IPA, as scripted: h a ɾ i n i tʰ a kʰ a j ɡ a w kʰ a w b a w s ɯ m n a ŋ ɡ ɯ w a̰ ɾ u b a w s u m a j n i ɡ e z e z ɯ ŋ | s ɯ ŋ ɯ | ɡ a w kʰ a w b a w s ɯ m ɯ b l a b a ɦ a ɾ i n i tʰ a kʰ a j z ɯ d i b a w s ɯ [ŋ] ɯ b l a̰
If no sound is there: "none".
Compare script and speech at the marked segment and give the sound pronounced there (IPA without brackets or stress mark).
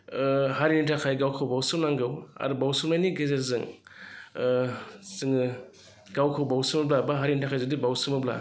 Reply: m